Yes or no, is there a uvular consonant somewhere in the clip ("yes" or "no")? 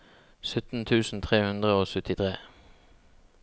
yes